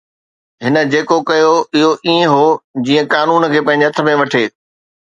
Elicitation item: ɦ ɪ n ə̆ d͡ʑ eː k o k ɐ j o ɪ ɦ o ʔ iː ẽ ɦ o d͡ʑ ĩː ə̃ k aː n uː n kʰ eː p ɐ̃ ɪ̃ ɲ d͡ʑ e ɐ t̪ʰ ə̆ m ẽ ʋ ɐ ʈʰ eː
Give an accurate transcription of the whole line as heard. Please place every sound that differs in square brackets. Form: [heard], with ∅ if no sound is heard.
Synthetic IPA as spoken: ɦ ɪ n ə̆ d͡ʑ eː k o k ɐ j o ɪ ɦ o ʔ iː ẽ ɦ o d͡ʑ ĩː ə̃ k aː n uː n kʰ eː p ɐ̃ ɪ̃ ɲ d͡ʑ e ɐ t̪ʰ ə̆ m ẽ ʋ ɐ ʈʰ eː